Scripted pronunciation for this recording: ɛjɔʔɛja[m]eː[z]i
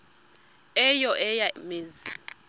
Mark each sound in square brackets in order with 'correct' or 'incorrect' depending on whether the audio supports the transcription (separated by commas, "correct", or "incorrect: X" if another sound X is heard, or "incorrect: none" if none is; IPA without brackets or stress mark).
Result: correct, correct